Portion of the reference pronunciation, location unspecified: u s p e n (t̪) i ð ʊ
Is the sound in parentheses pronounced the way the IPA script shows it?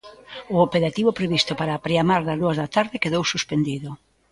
no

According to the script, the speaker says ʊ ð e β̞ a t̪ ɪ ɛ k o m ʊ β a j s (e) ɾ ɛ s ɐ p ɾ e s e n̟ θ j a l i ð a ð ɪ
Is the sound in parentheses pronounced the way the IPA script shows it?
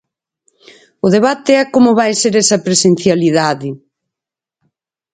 yes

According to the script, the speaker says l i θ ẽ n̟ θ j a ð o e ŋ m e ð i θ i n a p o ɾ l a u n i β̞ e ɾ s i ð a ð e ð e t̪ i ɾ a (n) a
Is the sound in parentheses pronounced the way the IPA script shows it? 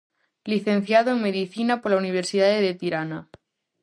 yes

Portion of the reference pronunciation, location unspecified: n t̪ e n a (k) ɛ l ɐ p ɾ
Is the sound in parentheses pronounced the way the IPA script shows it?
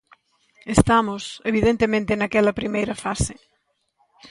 yes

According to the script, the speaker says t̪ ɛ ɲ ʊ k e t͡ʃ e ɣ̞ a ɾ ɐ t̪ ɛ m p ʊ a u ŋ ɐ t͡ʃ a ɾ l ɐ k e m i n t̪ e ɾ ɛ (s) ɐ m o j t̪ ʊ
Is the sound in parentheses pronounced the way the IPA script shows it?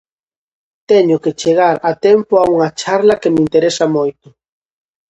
yes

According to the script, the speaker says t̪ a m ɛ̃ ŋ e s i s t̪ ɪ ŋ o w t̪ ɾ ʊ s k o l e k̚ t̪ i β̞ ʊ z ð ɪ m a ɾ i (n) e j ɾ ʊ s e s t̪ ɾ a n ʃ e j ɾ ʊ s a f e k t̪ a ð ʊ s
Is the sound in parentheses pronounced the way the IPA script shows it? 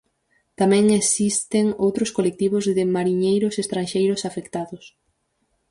no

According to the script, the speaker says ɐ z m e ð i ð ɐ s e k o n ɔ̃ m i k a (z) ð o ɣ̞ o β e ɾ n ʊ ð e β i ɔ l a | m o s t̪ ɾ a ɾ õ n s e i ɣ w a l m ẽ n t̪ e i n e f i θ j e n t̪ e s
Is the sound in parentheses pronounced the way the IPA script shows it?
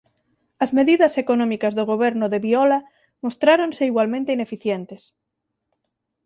yes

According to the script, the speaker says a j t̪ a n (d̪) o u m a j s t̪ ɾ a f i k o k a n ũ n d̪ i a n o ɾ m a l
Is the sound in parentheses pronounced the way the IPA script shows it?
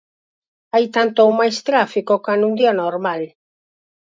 no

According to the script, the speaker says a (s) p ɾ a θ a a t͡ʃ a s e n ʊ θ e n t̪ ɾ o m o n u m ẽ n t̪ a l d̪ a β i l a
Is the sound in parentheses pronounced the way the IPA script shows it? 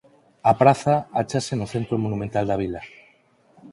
no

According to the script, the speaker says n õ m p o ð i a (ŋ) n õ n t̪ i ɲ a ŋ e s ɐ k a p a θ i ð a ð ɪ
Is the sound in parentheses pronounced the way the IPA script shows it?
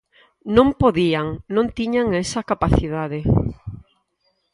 yes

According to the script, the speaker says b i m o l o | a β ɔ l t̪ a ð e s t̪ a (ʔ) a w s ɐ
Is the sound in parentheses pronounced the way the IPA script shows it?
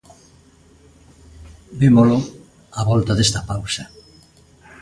no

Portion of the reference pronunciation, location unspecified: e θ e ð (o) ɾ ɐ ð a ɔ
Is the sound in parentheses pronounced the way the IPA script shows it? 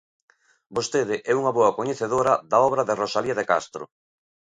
yes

